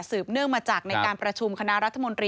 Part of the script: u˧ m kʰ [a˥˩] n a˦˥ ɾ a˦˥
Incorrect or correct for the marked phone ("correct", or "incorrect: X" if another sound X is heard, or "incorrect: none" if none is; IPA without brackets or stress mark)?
incorrect: a˧